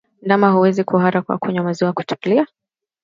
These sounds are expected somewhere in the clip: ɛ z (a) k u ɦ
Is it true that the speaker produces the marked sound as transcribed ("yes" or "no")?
no